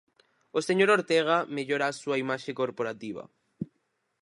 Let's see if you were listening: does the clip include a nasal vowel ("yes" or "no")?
no